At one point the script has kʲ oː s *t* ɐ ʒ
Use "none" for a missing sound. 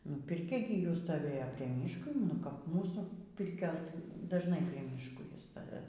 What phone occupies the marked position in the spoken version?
d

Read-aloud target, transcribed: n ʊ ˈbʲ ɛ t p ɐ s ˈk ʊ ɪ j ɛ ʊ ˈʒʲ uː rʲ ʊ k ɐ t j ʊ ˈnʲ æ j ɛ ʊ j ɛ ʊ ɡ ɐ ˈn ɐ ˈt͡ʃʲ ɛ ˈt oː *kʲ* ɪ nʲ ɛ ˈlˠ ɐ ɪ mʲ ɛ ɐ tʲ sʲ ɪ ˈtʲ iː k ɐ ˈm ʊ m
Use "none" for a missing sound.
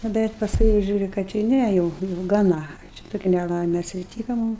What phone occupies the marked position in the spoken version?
kʲ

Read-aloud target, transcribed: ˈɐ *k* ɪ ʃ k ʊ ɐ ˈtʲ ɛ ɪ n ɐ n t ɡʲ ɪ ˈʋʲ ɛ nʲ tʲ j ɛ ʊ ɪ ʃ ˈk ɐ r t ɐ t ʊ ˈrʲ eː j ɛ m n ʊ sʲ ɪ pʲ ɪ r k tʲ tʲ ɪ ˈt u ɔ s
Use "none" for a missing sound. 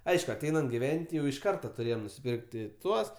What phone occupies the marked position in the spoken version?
none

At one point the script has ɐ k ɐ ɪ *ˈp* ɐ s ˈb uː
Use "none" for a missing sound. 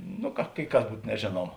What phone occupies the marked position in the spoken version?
k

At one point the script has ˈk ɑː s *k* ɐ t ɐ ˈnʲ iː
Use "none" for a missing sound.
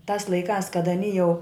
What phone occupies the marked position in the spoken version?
k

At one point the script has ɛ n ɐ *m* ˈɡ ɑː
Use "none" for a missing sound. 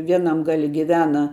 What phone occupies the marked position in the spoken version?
m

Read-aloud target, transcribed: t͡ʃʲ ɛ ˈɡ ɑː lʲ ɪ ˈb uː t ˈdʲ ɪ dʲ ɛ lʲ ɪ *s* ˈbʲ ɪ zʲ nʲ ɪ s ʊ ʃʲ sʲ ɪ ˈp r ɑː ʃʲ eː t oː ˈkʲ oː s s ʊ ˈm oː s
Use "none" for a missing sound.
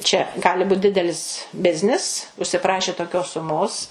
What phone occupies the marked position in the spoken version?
s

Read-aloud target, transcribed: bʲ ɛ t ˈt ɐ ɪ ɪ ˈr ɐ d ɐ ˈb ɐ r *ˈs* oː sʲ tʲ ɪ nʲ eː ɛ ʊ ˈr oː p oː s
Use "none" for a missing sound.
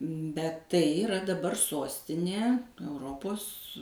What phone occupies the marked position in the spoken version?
s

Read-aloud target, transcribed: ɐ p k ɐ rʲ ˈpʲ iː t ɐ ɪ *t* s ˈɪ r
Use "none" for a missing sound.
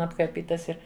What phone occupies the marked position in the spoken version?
none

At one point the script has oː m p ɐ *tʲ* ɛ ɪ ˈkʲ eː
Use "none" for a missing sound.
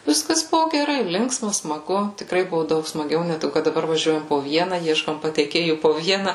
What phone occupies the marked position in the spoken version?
tʲ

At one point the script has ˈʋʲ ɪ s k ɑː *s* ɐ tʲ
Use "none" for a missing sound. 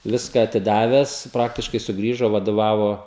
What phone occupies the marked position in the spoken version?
none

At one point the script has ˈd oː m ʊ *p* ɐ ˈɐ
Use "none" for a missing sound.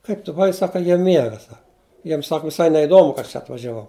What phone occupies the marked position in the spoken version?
k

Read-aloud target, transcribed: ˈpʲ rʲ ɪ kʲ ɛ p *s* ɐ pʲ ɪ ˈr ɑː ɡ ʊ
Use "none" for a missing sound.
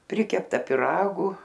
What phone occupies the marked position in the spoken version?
t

